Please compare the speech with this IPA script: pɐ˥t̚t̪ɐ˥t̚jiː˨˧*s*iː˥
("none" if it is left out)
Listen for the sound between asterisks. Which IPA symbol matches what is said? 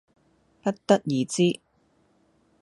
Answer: t͡s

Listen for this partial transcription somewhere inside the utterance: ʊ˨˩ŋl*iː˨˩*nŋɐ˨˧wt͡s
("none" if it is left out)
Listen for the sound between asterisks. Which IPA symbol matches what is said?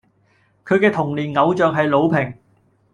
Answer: iː˨˩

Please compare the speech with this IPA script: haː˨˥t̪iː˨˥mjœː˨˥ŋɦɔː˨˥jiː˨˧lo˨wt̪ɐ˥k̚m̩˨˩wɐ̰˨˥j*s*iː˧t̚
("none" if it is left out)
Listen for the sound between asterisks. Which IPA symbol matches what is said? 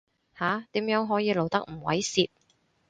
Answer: s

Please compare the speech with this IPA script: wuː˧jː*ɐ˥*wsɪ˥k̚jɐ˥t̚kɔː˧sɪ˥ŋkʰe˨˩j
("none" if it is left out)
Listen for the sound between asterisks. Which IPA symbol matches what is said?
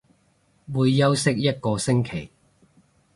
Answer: ɐ˥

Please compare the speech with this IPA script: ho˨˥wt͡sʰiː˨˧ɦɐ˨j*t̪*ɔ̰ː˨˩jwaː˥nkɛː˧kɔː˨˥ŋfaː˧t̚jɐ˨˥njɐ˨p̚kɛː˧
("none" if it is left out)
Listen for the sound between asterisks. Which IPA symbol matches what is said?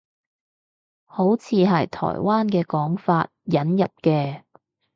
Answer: t̪ʰ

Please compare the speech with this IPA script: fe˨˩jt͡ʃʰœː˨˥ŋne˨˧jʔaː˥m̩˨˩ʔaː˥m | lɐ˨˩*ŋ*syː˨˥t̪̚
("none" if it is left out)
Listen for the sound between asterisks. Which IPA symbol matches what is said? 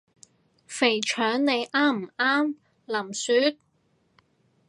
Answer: m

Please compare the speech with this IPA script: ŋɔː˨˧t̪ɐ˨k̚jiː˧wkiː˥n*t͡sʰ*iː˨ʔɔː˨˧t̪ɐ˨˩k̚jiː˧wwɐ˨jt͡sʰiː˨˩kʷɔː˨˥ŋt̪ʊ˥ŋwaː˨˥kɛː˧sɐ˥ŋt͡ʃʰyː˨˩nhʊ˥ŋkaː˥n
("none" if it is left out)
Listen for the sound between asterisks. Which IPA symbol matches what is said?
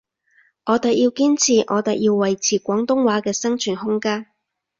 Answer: t͡sʰ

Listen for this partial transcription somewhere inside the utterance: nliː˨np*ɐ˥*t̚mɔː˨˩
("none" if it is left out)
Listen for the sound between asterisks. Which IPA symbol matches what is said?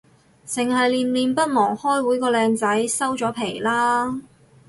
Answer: ɐ˥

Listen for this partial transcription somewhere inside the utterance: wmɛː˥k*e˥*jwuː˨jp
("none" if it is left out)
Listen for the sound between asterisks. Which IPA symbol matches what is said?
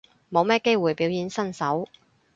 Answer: e˥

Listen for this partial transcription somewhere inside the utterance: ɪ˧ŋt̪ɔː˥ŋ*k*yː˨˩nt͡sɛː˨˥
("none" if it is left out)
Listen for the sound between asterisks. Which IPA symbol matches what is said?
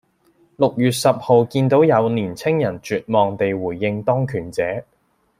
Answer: kʰ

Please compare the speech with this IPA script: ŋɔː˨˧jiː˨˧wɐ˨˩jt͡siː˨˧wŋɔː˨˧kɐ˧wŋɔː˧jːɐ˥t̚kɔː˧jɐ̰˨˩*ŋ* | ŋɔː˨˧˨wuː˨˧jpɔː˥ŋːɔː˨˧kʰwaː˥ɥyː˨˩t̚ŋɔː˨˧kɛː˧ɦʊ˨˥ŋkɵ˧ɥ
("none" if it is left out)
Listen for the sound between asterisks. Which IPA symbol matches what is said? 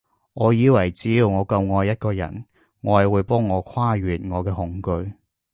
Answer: n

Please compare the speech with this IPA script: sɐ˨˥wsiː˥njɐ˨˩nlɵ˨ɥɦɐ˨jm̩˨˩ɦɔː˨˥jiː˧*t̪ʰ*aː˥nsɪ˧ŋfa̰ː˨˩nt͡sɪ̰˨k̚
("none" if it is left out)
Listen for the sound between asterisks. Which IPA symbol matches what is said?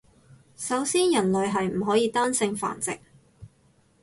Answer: t̪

